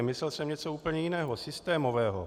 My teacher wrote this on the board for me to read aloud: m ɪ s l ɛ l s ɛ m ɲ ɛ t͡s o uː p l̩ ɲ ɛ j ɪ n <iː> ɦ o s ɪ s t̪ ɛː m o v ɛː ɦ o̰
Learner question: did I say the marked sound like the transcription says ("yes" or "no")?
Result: no